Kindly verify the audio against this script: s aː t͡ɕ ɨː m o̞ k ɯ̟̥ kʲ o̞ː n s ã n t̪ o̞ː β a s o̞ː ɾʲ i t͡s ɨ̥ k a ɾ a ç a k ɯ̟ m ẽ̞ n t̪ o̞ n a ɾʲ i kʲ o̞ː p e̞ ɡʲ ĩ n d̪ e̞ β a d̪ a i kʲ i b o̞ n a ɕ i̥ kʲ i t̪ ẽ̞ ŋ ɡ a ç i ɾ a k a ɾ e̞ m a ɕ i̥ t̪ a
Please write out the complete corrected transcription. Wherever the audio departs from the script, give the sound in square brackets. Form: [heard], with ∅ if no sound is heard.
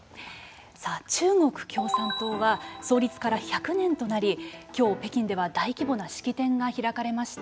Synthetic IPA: s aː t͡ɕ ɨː [ŋ] o̞ k ɯ̟̥ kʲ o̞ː [∅] s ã n t̪ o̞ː β a s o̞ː ɾʲ i t͡s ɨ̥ k a ɾ a ç a k ɯ̟ [n] ẽ̞ n t̪ o̞ n a ɾʲ i kʲ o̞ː p e̞ [kʲ] ĩ n d̪ e̞ β a d̪ a i kʲ i b o̞ n a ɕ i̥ kʲ i t̪ ẽ̞ ŋ ɡ a ç i ɾ a k a ɾ e̞ m a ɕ i̥ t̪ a